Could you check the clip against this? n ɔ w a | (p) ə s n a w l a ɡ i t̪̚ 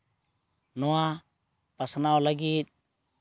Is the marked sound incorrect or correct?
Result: correct